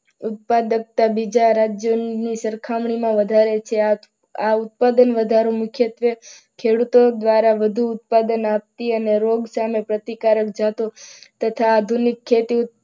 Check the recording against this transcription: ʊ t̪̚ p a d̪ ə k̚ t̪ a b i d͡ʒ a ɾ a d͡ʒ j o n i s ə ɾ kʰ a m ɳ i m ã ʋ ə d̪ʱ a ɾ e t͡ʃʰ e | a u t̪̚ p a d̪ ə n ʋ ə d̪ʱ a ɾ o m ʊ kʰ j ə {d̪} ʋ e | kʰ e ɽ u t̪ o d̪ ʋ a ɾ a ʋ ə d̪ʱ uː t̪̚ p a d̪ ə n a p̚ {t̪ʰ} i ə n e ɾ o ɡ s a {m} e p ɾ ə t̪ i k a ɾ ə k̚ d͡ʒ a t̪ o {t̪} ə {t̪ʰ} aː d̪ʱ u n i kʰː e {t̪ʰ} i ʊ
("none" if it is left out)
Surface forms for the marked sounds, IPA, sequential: t̪, t̪, m, t̪, t̪ʰ, t̪

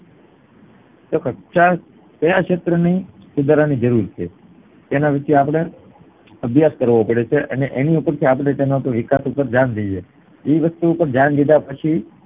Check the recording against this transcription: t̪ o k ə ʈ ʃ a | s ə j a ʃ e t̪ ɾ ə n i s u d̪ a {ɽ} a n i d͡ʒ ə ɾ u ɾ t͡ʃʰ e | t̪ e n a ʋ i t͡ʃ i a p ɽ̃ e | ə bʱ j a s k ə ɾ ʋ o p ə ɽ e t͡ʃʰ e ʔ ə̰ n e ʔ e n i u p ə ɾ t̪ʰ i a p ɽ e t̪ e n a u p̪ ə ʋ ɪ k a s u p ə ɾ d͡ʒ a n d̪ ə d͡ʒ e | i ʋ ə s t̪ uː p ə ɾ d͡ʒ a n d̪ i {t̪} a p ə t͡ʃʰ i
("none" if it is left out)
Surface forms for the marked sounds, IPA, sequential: ɾ, d̪

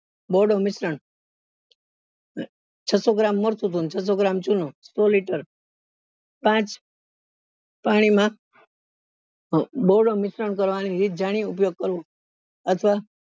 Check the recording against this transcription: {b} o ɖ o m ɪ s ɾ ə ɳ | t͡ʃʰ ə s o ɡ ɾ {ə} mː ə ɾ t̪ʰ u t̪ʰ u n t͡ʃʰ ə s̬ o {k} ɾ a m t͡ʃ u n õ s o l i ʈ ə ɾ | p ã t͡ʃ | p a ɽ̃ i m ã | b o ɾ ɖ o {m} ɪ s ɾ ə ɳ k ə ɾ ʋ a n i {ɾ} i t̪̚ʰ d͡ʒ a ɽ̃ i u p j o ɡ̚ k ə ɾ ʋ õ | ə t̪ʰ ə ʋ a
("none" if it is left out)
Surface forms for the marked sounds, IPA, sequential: b, a, ɡ, m, ɾ

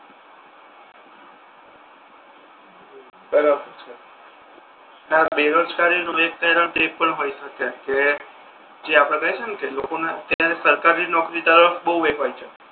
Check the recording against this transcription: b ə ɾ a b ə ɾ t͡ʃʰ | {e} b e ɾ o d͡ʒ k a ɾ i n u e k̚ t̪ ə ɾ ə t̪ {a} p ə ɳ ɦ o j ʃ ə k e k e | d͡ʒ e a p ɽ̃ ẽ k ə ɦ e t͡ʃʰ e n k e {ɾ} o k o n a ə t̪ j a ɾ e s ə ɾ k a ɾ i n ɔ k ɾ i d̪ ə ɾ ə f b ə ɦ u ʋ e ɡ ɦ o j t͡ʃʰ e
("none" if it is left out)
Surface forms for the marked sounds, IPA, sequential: a, e, l

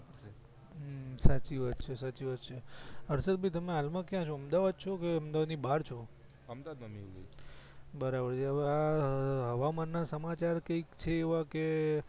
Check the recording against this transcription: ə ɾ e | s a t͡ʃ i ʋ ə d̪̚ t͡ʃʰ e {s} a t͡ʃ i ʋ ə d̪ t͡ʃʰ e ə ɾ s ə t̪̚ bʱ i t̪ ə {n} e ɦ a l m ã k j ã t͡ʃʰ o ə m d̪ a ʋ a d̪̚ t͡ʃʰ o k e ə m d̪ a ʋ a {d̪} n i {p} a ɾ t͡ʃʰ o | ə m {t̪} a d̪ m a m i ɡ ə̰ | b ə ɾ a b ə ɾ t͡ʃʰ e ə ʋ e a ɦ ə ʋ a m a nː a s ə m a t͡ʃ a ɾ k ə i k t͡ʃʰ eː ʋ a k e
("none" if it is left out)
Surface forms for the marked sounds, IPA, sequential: s, m, d̪, b, d̪

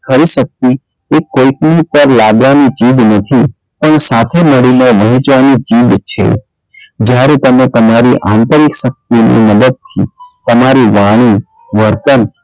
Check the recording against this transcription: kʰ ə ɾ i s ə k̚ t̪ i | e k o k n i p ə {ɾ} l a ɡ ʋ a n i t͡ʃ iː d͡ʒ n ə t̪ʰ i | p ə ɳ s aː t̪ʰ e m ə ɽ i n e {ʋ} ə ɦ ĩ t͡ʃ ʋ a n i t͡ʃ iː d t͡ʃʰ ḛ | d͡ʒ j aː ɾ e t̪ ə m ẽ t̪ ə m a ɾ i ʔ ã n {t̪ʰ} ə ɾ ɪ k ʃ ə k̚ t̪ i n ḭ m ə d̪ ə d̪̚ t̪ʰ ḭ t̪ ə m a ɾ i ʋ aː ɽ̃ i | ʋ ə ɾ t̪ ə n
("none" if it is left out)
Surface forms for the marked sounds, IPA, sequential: ɾ, ʋ, t̪

